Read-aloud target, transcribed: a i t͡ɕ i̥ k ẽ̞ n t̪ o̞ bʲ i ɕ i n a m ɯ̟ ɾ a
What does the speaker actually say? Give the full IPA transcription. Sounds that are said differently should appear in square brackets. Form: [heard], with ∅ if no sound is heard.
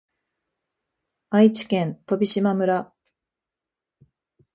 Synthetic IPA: a i t͡ɕ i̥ k ẽ̞ n t̪ o̞ bʲ i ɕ i [m] a m ɯ̟ ɾ a